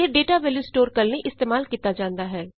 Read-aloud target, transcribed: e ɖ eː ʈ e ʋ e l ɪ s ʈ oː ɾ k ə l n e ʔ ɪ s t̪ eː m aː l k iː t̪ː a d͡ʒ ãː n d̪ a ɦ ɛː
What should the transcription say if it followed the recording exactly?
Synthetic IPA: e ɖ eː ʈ a ʋ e l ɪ s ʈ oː ɾ k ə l n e ʔ ɪ s t̪ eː m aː l k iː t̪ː a d͡ʒ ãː n d̪ a ɦ ɛː